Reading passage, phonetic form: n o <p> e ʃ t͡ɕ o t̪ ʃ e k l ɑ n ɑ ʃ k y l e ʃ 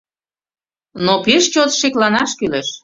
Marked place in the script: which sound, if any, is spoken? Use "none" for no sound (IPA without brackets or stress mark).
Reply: p